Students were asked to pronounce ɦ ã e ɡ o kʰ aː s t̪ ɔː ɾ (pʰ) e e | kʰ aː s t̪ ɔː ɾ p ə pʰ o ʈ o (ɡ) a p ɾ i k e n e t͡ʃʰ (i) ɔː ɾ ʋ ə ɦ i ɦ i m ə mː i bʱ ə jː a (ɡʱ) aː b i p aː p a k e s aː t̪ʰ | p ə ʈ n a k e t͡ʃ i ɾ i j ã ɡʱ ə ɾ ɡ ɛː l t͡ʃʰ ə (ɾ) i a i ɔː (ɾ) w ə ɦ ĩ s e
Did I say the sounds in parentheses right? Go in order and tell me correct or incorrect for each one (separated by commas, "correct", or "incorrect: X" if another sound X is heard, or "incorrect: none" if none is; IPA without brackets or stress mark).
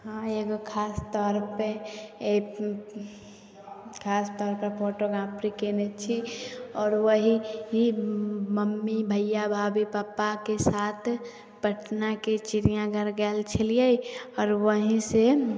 incorrect: p, correct, correct, incorrect: bʱ, incorrect: l, correct